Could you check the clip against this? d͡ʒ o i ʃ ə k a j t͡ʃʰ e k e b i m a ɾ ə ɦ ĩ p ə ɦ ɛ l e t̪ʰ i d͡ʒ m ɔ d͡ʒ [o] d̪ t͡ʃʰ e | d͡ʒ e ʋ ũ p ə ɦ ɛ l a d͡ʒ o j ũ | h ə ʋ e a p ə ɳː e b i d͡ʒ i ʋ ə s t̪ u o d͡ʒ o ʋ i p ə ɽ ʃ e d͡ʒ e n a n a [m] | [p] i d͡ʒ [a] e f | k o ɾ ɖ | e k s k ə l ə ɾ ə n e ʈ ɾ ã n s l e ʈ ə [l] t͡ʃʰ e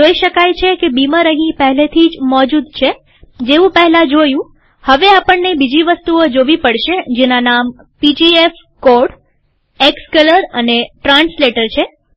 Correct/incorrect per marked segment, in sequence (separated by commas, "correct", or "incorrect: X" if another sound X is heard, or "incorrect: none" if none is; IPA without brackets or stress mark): incorrect: u, correct, correct, incorrect: i, incorrect: ɾ